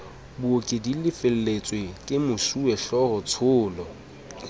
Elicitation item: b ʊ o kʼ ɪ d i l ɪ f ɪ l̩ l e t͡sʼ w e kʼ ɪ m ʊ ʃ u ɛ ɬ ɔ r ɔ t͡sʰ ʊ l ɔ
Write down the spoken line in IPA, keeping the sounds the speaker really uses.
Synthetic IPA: b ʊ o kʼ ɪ d i l ɪ f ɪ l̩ l e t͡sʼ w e kʼ ɪ m ʊ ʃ u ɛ ɬ ɔ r ɔ t͡sʰ ʊː l ɔ